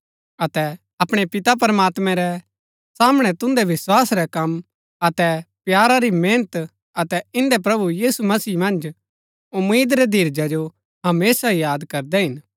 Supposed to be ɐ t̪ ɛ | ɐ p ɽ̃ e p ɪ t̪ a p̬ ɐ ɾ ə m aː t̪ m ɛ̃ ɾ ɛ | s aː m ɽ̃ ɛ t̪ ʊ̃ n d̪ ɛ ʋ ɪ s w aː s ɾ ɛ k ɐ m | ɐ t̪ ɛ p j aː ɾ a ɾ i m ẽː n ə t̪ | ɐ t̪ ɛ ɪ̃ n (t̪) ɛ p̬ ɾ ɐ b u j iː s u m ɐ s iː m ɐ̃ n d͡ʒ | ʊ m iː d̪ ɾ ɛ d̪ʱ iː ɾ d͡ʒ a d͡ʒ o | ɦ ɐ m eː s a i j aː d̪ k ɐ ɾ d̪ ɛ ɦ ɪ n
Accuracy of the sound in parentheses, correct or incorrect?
incorrect: d̪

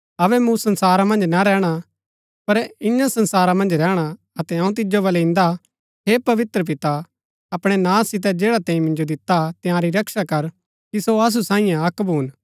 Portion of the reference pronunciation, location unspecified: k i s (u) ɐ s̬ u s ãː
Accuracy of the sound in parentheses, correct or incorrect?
incorrect: o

